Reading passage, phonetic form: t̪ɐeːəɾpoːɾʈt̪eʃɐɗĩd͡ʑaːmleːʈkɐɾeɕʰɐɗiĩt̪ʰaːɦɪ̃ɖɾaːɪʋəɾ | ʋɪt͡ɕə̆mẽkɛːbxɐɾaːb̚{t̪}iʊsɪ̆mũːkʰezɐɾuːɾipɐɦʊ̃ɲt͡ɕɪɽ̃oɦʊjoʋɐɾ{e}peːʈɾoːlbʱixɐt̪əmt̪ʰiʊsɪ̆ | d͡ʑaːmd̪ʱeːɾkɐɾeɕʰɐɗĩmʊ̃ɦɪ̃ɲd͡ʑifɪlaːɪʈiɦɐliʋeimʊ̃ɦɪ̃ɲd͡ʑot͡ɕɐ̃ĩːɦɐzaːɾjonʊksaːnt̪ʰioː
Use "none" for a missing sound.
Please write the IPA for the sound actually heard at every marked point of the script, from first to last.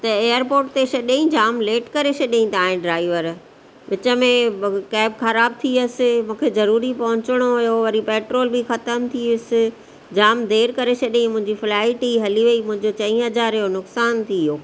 t̪ʰ, i

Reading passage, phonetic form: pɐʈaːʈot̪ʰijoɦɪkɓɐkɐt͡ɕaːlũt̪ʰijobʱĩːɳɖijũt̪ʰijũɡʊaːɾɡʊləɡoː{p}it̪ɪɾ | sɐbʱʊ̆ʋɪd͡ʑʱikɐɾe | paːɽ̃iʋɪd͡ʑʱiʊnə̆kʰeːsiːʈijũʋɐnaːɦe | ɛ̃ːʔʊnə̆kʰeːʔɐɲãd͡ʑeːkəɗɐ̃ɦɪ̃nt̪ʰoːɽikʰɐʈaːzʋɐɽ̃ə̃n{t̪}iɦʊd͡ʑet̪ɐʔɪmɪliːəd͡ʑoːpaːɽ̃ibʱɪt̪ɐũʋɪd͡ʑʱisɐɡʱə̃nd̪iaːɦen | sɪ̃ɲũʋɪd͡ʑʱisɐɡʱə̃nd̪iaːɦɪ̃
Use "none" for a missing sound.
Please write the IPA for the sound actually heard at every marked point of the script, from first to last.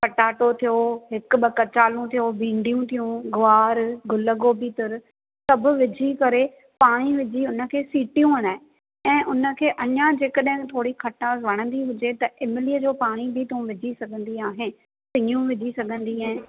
b, d̪

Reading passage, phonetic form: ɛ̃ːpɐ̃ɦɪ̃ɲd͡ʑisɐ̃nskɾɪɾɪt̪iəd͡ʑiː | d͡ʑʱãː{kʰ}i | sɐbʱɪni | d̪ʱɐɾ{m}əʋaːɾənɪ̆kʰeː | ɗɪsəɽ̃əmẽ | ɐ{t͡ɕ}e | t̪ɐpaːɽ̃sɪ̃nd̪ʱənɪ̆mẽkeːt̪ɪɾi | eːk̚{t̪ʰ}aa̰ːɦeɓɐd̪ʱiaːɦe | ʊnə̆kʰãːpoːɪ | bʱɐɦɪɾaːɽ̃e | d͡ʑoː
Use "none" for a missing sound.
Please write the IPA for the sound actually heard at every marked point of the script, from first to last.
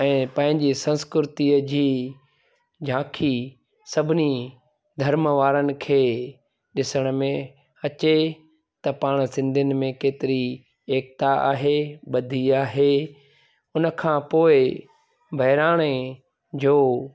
kʰ, m, t͡ɕ, t̪

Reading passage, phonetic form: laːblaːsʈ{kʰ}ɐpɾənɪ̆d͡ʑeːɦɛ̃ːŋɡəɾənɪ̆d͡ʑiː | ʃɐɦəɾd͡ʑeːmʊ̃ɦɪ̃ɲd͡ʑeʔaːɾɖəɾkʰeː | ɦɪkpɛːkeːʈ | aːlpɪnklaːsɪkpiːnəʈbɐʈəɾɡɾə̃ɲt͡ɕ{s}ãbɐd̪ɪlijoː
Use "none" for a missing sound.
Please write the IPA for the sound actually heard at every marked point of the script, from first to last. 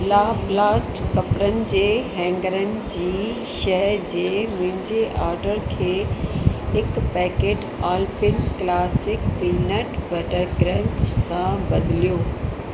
k, s

